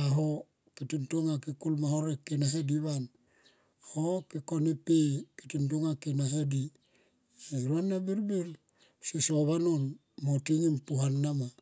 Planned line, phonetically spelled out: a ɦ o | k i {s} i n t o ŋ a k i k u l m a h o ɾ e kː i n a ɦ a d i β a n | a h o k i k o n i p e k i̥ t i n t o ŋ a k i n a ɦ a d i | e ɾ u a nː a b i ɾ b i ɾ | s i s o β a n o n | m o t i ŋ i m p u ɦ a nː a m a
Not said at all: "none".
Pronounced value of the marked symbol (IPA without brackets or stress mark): t